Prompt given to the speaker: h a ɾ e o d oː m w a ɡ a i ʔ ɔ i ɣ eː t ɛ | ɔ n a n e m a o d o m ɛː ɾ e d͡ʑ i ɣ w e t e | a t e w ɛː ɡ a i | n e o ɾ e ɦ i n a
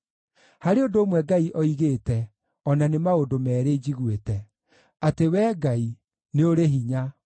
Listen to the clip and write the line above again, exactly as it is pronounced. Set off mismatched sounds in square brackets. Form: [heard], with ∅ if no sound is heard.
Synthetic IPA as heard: h a ɾ e o d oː m w [ɛ] ɡ a i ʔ ɔ i ɣ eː t ɛ | ɔ n a n e m a o d o m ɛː ɾ e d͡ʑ i ɣ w e t [ɛ] | a t e w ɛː ɡ a i | n e o ɾ e ɦ i [ɲ] a